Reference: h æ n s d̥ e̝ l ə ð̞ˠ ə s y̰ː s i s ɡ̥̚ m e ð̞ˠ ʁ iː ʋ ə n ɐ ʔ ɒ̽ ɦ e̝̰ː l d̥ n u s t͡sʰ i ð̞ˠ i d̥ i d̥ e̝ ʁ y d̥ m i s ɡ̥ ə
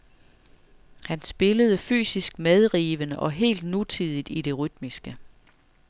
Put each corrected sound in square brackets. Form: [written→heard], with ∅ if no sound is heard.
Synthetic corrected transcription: h æ n s [d̥→b̥] e̝ l ə ð̞ˠ ə [s→f] y̰ː s i s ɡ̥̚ m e ð̞ˠ ʁ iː ʋ ə n [ɐ→ə] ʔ ɒ̽ ɦ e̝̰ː l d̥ n u [s→∅] t͡sʰ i ð̞ˠ i d̥ i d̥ e̝ ʁ y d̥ m i s ɡ̥ ə